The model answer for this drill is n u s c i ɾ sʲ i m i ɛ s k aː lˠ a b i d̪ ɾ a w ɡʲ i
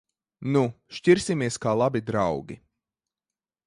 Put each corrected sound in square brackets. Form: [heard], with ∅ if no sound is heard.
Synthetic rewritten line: n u [ʃ] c i ɾ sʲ i m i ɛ s k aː lˠ a b i d̪ ɾ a w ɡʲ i